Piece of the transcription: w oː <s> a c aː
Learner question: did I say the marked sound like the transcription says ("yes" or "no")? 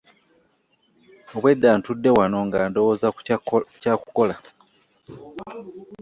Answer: no